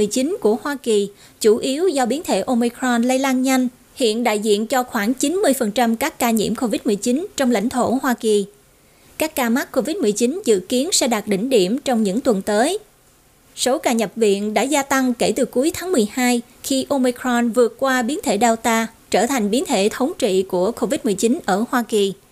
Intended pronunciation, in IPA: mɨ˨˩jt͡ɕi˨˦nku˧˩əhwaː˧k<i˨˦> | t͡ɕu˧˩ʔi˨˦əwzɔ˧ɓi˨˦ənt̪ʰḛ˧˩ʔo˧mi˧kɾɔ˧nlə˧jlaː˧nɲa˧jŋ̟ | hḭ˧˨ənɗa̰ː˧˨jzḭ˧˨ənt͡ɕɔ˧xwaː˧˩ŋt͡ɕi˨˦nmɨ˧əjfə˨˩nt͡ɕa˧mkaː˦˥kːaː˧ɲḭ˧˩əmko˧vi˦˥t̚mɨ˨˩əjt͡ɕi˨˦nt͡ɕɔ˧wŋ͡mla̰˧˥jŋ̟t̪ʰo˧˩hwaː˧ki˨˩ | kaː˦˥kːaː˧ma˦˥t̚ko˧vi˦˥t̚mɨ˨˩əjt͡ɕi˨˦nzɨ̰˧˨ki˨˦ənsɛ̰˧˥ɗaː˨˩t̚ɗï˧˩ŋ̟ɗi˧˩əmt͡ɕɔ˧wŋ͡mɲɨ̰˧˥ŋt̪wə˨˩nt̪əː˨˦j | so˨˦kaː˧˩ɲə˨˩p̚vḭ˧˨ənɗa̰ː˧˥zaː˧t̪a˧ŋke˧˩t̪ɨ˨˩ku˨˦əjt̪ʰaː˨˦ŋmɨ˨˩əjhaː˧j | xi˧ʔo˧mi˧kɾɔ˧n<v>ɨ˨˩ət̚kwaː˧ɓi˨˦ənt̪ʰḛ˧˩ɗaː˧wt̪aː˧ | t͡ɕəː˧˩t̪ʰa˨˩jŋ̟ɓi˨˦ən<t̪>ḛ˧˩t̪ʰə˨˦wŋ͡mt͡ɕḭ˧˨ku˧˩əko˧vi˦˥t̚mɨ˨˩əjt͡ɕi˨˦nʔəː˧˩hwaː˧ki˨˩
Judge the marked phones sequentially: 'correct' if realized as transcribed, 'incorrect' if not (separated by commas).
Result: incorrect, correct, incorrect